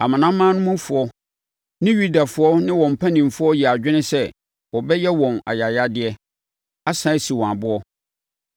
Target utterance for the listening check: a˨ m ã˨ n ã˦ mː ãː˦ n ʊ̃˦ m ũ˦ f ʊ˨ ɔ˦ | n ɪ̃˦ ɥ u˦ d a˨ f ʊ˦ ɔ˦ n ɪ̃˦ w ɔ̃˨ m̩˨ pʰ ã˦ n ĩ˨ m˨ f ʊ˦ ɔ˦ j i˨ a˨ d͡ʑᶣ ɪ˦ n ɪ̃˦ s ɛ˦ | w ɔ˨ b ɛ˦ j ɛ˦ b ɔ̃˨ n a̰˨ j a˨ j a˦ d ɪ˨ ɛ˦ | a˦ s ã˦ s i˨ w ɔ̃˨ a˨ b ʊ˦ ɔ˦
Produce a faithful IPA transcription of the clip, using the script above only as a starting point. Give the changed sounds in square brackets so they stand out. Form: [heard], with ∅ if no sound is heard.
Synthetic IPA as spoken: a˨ m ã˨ n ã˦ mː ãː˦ n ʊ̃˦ m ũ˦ f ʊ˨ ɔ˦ | n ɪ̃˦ ɥ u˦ d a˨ f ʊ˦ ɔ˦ n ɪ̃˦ w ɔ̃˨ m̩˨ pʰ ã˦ n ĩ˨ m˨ f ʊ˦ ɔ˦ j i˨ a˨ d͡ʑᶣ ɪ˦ n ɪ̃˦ s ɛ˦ | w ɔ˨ b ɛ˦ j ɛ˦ [w] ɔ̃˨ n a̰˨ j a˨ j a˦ d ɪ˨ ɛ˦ | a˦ s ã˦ s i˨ w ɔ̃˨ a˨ b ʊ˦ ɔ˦